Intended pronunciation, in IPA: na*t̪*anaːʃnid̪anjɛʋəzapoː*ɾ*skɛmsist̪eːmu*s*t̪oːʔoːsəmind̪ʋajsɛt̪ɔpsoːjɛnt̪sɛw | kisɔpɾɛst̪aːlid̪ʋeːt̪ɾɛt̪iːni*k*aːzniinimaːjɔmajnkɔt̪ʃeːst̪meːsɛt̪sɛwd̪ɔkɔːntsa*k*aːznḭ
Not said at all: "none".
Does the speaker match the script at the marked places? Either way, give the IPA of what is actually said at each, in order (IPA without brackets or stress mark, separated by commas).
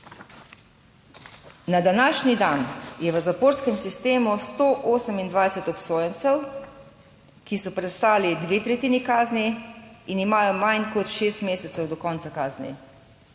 d̪, ɾ, s, k, k